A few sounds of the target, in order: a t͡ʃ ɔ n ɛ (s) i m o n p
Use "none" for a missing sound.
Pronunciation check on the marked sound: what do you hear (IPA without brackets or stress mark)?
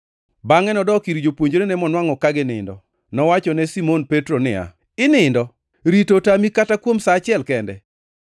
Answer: s